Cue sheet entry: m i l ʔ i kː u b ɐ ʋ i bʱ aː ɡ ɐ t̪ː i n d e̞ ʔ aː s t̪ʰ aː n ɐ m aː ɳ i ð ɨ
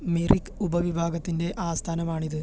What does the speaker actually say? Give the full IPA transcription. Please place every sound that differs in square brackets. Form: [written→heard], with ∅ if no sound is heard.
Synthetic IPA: m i [l→r] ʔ i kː u b ɐ ʋ i bʱ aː ɡ ɐ t̪ː i n d e̞ ʔ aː s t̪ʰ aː n ɐ m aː ɳ i ð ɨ

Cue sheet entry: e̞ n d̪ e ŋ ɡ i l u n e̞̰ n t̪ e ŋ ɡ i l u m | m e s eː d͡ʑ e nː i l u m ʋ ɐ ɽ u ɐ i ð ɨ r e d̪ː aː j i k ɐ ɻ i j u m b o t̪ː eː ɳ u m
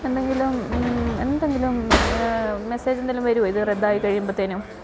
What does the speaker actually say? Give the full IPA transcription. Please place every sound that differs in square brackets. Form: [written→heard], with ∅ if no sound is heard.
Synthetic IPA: e̞ n d̪ e ŋ ɡ i l u [n→m] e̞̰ n [t̪→d̪] e ŋ ɡ i l u m | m e s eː d͡ʑ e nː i l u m ʋ ɐ [ɽ→ɾ] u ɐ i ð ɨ r e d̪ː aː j i k ɐ ɻ i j u m b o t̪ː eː [ɳ→n] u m

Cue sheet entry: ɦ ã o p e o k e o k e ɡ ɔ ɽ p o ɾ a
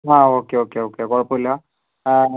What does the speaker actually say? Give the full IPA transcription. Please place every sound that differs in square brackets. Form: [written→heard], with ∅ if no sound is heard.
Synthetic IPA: ɦ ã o [p→k] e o k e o k e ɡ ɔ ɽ p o [ɾ→l] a

